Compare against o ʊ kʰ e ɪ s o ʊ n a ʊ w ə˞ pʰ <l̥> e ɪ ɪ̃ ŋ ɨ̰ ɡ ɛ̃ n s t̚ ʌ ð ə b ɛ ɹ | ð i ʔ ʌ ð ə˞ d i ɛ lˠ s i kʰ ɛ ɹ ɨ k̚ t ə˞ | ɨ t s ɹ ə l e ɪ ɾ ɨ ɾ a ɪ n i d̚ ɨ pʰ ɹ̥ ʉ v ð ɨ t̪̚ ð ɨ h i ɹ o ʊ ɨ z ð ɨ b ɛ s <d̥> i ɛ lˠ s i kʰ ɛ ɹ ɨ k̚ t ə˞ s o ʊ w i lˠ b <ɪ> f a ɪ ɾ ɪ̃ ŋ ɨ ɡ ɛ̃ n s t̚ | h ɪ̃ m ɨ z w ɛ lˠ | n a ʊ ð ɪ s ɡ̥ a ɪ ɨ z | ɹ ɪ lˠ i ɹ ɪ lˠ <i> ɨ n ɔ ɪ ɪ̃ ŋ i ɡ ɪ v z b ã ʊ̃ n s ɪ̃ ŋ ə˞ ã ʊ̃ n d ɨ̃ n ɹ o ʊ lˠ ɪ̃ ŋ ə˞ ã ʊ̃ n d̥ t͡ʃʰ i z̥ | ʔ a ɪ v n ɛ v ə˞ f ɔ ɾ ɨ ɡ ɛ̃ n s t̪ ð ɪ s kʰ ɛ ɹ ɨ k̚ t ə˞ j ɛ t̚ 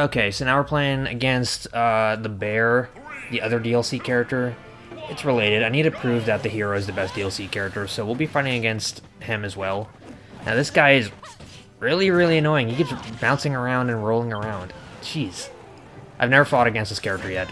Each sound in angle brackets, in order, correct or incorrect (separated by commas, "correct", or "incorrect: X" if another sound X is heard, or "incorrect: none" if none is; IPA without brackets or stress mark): correct, correct, incorrect: i, correct